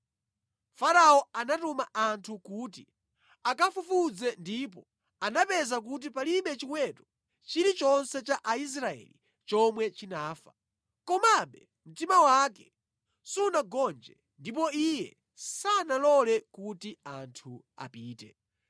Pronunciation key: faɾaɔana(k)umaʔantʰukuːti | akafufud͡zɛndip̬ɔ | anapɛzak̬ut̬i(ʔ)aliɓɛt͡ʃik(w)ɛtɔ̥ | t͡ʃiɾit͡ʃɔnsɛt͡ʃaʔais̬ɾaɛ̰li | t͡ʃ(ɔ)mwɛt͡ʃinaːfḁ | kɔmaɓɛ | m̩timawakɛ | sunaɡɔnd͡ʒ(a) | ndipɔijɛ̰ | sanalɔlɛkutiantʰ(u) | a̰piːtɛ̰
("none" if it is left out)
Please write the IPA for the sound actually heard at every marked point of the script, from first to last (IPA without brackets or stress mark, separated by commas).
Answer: t, p, w, ɔ, ɛ, u